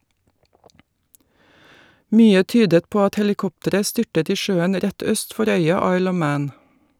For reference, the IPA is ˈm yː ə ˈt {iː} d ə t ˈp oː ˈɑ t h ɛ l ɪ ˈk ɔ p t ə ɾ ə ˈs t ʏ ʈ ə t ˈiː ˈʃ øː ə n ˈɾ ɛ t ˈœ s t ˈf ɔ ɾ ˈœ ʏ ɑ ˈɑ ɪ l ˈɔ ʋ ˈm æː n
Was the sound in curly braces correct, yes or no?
no